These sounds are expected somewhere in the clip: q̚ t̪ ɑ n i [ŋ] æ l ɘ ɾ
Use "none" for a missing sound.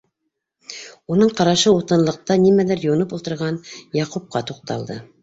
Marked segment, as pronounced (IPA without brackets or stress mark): m